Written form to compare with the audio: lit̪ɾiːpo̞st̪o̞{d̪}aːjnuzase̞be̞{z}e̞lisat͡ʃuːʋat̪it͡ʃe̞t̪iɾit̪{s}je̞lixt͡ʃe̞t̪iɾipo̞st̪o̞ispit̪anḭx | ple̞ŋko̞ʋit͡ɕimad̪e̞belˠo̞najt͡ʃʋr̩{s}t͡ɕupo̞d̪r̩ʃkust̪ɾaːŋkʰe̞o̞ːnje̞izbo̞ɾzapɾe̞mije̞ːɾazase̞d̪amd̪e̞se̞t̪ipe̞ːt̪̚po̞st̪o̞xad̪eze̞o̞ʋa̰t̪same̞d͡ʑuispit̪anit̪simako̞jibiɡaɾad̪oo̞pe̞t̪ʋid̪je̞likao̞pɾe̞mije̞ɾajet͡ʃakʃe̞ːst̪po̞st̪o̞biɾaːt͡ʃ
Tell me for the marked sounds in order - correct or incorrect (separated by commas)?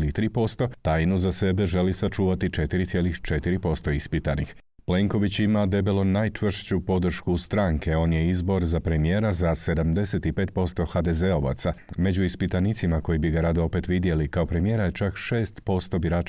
incorrect, incorrect, correct, incorrect